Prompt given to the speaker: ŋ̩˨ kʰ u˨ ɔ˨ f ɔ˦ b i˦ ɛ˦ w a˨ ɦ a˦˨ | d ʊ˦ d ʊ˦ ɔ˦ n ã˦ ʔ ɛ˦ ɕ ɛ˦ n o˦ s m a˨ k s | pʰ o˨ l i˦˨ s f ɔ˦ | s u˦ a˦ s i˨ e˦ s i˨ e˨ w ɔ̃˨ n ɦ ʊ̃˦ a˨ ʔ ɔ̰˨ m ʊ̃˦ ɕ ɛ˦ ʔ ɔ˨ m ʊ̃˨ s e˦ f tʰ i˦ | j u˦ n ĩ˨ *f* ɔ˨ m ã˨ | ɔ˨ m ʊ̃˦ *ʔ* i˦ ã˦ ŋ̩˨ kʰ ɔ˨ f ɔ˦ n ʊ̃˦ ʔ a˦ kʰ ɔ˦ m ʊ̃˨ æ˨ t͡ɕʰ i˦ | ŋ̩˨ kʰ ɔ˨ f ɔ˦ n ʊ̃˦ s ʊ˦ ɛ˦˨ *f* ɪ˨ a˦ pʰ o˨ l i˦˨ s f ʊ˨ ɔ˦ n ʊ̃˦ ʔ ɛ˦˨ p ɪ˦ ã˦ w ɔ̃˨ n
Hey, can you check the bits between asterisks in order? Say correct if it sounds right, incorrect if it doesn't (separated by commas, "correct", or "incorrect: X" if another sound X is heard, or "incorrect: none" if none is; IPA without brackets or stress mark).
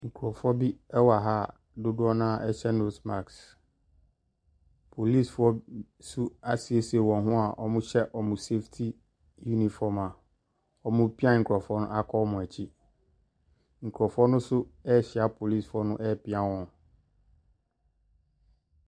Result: correct, incorrect: p, incorrect: ɕ